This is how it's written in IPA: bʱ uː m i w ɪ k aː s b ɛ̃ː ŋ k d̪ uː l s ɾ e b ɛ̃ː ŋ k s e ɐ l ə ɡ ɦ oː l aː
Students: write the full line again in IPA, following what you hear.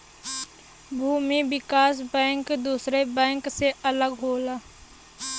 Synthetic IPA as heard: bʱ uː m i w ɪ k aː s b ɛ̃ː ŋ k d̪ uː s ɾ e b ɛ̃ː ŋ k s e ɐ l ə ɡ ɦ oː l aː